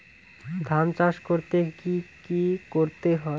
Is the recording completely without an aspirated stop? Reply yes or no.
yes